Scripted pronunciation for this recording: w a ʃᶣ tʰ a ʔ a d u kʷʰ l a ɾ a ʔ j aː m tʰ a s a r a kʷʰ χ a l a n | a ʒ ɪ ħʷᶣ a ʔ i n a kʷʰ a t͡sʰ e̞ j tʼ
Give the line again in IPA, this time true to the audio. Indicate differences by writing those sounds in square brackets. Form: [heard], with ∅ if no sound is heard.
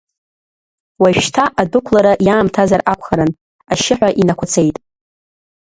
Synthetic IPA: w a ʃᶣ tʰ a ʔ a d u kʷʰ l a ɾ a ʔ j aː m tʰ a [z] a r a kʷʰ χ a [ɾ] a n | a [ʃ] ɪ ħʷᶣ a ʔ i n a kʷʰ a t͡sʰ e̞ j tʼ